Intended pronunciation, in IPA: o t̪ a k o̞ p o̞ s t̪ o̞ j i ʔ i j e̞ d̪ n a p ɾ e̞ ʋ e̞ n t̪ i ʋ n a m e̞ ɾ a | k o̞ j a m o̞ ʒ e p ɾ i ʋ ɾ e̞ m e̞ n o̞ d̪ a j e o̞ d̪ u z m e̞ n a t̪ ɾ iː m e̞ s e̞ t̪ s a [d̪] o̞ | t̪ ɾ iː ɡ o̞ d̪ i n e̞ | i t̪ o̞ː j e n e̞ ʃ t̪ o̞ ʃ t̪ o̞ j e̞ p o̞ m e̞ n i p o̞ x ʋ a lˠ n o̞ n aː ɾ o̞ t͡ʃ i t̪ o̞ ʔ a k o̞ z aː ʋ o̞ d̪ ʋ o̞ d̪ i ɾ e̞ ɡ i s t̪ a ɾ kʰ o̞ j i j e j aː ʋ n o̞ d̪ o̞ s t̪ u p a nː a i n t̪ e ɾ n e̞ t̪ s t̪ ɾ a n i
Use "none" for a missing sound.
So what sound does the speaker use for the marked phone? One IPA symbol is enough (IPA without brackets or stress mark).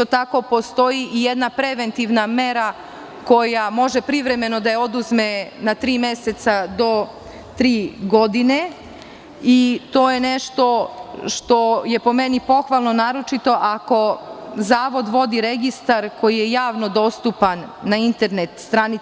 d̪